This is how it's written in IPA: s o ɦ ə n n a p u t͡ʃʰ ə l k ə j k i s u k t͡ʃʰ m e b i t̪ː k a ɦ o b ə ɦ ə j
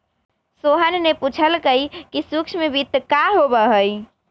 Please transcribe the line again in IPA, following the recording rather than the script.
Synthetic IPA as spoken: s o ɦ ə n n e p u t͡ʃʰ ə l k ə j k i s u k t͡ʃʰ m e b i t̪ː k a ɦ o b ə ɦ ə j